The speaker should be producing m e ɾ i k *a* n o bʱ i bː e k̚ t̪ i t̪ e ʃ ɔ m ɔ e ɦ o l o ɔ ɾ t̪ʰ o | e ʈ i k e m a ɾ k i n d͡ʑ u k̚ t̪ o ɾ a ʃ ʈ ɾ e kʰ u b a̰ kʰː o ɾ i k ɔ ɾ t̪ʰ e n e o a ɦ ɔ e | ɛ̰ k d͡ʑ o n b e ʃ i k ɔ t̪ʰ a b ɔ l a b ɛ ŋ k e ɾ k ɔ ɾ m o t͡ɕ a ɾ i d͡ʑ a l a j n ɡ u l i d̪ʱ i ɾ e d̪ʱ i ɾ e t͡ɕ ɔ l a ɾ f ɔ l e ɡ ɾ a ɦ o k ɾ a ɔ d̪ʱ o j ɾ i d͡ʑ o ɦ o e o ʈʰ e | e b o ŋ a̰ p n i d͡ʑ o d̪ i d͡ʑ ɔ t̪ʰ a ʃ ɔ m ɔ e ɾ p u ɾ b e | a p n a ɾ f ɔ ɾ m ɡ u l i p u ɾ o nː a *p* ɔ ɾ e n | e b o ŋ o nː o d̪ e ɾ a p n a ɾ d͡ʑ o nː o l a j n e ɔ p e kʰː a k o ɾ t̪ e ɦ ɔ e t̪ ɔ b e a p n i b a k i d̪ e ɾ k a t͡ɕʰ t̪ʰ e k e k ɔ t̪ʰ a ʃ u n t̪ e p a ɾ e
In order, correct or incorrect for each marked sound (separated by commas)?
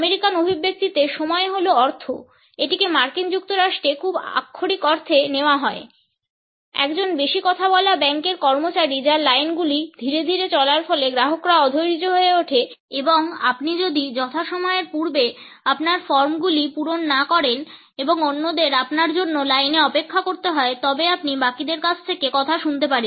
correct, incorrect